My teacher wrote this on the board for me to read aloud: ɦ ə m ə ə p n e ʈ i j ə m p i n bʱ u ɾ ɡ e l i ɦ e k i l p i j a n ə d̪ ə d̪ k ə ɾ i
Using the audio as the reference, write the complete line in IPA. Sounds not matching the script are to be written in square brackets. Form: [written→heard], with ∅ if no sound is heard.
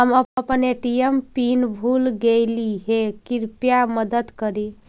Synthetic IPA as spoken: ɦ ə m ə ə p n e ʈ i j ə m p i n bʱ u [ɾ→l] ɡ e l i ɦ e k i [l→ɾ] p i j a [n→m] ə d̪ ə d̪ k ə ɾ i